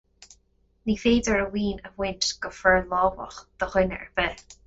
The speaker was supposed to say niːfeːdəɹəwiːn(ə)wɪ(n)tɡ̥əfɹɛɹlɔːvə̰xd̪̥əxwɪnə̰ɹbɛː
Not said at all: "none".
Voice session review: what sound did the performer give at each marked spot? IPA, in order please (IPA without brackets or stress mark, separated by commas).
ə, n